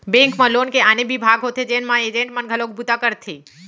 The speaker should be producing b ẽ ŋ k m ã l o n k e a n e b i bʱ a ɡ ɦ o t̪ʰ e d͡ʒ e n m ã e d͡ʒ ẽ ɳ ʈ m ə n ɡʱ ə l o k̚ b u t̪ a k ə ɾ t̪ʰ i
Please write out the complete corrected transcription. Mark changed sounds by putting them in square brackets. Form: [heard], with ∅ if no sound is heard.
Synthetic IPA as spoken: b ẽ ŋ k m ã l o n k e a n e b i bʱ a ɡ ɦ o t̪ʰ e d͡ʒ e n m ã e d͡ʒ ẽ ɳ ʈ m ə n ɡʱ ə l o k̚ b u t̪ a k ə ɾ t̪ʰ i